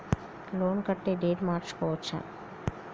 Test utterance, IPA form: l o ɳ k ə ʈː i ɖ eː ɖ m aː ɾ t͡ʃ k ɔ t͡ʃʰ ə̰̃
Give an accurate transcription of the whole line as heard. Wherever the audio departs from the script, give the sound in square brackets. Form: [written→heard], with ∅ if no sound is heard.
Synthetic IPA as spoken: l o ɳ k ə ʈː [i→e] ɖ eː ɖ m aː ɾ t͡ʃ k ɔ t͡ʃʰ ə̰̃